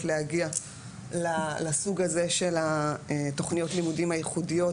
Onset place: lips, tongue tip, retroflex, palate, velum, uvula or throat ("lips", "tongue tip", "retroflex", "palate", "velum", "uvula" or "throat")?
tongue tip